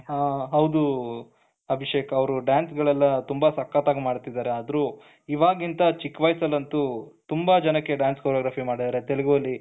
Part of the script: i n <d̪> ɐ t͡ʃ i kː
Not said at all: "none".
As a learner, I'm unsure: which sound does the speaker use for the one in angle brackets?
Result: t̪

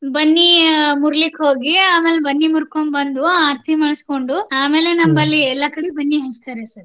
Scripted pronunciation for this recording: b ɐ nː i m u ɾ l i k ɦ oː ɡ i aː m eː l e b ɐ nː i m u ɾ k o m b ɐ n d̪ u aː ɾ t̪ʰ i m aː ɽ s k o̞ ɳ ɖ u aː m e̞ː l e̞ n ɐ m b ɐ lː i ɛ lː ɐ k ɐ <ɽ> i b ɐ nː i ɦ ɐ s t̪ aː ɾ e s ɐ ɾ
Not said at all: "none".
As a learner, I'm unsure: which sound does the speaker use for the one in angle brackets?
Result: ɽ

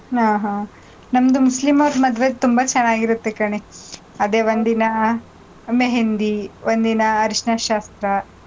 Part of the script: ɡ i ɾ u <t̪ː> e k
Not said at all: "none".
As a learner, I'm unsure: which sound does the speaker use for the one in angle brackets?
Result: t̪ː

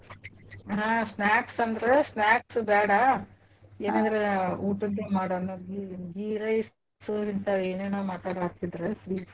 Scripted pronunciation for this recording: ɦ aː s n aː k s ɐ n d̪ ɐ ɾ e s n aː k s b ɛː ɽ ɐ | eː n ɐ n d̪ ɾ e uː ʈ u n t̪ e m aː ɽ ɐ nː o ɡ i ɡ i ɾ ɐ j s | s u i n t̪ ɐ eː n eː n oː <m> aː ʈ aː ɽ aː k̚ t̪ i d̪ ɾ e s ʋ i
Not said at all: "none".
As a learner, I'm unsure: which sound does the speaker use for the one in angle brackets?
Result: m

